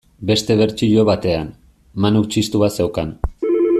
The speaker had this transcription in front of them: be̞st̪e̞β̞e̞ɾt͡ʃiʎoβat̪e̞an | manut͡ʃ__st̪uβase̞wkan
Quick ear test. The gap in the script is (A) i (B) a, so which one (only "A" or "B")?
A